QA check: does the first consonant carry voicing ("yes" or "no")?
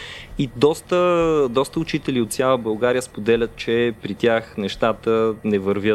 yes